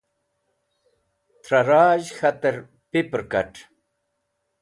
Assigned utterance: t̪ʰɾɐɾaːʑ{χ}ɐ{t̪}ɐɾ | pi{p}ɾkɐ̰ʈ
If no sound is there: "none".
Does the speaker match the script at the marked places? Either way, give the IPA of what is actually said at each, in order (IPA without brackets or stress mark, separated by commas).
x, t̪, p